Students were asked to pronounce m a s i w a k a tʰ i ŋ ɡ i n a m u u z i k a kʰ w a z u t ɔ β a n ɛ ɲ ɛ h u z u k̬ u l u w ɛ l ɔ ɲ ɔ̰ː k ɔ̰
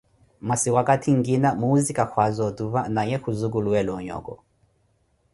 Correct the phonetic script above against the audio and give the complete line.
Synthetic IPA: m a s i w a k a tʰ i ŋ ɡ i n a m u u z i k a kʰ w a z ɔ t u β a n a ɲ ɛ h u z u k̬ u l u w ɛ l ɔ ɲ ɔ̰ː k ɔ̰